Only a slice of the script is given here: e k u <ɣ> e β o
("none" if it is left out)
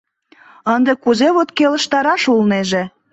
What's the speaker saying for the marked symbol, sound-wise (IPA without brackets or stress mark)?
z